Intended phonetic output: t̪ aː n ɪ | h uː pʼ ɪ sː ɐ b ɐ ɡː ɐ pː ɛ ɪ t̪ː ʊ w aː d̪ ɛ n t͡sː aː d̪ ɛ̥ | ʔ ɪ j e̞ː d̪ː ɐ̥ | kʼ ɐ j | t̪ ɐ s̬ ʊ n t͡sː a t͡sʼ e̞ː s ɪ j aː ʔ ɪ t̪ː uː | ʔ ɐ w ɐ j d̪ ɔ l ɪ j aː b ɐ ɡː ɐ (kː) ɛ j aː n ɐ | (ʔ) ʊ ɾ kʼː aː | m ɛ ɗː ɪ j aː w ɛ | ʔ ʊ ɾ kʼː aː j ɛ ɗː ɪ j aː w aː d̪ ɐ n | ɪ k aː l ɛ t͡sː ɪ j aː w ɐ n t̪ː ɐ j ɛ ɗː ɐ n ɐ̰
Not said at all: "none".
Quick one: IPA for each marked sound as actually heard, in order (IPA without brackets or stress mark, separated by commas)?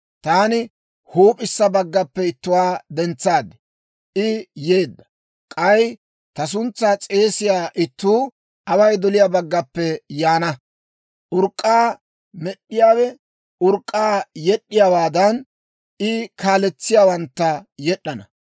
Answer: pː, ʔ